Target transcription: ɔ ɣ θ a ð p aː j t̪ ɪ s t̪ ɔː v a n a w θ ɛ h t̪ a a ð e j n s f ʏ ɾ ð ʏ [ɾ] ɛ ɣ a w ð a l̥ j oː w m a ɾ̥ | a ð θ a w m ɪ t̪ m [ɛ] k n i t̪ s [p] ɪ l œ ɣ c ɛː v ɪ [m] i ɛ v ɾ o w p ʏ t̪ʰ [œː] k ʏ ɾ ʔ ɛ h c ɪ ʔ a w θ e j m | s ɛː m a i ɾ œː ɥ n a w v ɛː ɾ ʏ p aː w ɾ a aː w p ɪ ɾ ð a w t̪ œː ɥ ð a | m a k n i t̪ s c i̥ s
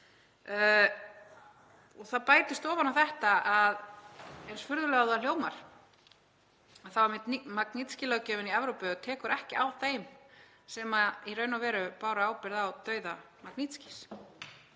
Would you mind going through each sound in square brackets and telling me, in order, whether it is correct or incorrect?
incorrect, incorrect, incorrect, incorrect, incorrect

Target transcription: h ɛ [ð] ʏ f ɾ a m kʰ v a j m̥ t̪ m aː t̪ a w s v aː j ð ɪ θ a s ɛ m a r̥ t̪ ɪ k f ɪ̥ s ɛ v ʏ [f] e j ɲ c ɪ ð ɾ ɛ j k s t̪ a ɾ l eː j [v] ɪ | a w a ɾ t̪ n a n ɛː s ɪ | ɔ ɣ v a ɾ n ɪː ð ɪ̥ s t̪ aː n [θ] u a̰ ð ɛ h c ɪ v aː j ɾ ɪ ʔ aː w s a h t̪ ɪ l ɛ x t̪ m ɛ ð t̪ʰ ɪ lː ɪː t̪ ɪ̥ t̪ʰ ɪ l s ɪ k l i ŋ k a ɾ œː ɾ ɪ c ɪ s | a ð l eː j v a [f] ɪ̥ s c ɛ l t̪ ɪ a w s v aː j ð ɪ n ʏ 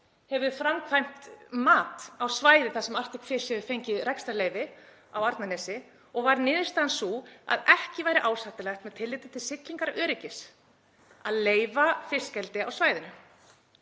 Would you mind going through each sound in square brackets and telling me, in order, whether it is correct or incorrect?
incorrect, correct, correct, incorrect, correct

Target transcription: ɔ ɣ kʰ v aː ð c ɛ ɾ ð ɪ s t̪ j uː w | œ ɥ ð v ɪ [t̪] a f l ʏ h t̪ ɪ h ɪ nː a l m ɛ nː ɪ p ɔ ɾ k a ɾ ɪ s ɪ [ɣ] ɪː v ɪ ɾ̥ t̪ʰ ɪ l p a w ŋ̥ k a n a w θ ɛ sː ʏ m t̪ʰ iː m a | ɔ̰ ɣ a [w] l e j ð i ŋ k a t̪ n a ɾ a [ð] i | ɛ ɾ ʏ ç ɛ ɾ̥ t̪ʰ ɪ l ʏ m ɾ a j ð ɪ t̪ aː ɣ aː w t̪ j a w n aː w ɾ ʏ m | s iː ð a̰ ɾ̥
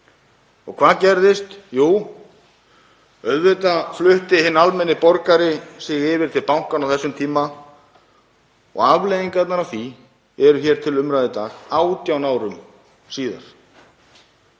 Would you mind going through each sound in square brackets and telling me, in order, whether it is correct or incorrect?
correct, correct, incorrect, incorrect

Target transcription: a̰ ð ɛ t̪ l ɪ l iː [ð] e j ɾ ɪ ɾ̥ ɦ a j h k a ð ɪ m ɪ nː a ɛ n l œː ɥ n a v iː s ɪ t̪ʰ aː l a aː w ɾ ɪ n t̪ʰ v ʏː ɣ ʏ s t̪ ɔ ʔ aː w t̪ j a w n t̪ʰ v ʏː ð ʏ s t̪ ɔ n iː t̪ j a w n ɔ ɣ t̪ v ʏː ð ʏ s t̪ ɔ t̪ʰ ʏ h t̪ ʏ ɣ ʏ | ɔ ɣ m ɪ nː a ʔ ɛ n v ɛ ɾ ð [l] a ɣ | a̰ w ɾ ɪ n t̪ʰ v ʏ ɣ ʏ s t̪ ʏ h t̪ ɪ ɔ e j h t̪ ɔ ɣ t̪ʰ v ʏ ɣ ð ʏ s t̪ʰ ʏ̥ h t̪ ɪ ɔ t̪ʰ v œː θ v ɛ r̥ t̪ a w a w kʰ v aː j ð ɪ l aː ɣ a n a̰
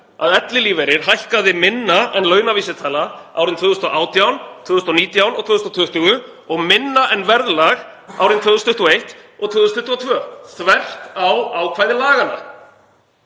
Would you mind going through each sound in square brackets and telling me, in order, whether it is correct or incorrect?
incorrect, correct

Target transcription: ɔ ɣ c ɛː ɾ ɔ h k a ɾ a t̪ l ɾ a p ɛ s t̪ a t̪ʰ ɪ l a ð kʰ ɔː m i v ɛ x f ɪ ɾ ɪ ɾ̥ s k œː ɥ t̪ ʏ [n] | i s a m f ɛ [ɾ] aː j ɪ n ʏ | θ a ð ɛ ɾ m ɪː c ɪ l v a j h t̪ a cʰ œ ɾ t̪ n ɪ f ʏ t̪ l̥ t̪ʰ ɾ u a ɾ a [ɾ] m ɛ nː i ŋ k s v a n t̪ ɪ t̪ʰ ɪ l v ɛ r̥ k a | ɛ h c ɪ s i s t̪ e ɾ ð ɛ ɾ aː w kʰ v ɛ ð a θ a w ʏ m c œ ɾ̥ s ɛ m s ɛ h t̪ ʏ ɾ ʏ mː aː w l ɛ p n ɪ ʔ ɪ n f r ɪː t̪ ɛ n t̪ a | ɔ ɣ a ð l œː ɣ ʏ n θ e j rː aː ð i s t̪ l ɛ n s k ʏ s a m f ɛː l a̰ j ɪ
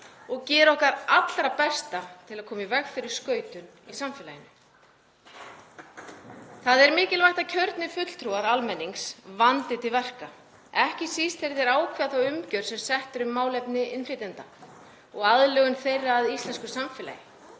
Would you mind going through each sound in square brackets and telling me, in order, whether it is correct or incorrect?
correct, incorrect, incorrect

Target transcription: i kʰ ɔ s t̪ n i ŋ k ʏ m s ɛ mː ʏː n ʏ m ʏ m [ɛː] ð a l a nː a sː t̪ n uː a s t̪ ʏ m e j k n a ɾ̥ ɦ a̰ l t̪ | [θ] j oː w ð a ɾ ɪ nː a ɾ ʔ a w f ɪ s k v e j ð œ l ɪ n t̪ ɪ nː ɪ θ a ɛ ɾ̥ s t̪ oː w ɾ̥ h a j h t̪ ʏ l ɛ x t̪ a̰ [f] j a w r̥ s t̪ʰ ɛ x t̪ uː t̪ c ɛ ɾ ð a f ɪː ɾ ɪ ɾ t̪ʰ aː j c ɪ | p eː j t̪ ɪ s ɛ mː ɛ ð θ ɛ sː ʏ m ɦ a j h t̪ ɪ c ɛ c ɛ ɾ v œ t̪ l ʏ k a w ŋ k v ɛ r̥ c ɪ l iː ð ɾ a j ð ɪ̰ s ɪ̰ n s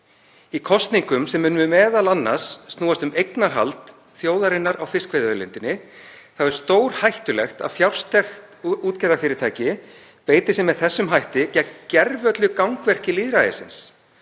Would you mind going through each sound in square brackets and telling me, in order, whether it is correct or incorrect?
correct, correct, correct

